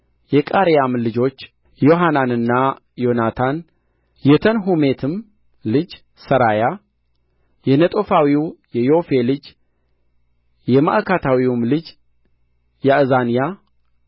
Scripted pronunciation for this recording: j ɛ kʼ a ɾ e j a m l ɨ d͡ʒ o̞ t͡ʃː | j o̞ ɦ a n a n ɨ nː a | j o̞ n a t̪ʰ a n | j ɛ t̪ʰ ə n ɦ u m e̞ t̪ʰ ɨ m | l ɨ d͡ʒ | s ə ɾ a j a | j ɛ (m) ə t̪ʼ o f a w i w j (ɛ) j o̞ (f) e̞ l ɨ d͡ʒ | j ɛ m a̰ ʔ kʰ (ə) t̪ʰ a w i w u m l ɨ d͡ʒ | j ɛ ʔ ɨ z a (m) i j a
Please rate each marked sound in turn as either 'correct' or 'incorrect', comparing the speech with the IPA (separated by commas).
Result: incorrect, correct, correct, incorrect, incorrect